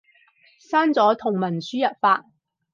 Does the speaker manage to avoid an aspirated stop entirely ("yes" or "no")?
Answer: no